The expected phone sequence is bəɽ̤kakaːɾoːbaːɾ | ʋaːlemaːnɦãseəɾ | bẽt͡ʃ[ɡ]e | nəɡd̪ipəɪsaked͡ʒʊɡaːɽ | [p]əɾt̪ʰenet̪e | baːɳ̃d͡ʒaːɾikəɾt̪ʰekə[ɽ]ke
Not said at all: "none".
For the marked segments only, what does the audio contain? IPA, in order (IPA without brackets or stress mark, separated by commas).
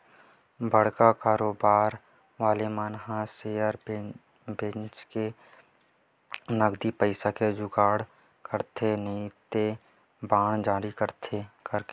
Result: k, k, ɾ